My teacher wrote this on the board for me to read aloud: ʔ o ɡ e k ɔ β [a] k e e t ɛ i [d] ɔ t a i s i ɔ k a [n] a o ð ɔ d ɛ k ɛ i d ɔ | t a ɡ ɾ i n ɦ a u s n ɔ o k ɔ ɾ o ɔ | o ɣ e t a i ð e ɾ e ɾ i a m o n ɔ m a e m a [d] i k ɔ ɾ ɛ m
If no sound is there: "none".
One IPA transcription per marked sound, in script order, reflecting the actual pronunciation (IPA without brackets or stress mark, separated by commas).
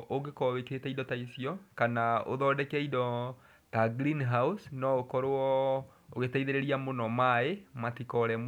e, d, n, t